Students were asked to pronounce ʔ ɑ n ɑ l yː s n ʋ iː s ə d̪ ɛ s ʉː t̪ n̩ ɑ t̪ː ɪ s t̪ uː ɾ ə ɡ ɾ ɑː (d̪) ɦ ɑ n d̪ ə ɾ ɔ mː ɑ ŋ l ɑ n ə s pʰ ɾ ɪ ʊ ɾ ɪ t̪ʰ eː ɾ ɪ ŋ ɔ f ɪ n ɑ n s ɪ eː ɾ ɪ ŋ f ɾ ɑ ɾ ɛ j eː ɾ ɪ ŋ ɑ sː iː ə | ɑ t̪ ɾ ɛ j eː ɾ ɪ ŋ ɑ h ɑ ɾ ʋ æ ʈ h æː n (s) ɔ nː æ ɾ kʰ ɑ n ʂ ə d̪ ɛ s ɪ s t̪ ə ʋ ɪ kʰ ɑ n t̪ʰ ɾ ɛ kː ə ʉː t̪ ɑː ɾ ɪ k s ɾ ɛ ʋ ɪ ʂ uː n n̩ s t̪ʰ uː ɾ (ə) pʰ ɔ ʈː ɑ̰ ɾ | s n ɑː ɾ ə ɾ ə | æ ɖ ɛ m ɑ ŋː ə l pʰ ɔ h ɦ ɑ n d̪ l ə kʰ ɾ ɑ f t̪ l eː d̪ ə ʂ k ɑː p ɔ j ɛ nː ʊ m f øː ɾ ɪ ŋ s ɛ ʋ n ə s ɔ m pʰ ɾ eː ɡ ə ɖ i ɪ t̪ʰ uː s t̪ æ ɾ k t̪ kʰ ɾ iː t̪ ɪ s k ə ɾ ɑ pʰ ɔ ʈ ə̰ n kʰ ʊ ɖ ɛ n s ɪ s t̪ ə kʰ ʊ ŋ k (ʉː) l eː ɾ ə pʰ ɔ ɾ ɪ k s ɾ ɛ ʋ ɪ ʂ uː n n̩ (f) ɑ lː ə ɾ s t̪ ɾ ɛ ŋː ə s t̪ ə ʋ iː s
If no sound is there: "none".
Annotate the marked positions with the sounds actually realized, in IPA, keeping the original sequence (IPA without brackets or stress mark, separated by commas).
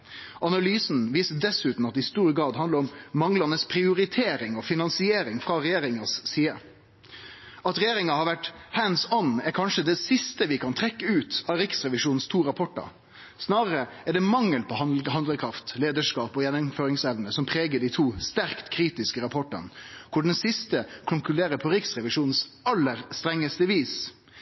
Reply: d̪, s, ɑ, ʉ, s